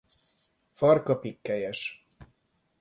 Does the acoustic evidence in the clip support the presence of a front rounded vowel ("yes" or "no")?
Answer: no